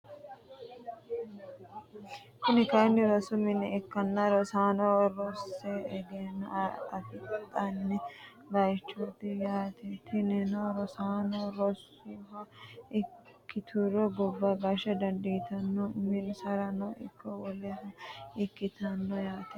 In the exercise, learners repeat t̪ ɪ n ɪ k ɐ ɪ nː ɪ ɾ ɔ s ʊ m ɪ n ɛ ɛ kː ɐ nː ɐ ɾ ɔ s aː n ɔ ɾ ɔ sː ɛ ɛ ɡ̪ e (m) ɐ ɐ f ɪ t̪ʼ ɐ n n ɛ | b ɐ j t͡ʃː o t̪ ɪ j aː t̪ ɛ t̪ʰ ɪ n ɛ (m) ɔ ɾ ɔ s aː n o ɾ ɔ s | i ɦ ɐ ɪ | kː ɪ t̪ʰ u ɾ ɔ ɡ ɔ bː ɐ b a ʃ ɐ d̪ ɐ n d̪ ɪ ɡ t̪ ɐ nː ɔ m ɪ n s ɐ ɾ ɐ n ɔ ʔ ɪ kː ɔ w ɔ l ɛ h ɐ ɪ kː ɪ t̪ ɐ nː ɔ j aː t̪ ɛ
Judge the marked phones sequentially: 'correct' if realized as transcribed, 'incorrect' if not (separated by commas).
incorrect, incorrect